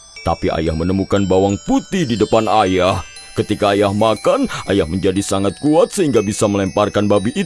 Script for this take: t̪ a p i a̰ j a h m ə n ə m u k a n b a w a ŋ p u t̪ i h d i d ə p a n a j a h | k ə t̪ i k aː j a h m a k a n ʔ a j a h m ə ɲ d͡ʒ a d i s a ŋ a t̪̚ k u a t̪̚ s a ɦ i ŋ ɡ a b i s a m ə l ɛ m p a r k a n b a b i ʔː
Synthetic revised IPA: t̪ a p i a̰ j a h m ə n ə m u k a n b a w a ŋ p u t̪ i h d i d ə p a n a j a h | k ə t̪ i k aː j a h m a k a n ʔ a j a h m ə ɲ d͡ʒ a d i s a ŋ a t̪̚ k u a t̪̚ s ə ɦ i ŋ ɡ a b i s a m ə l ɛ m p a r k a n b a b i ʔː